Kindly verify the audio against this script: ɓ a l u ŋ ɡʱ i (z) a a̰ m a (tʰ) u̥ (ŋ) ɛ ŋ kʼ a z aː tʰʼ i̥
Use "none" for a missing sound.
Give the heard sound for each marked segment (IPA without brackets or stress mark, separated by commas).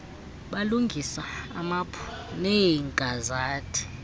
s, pʰ, n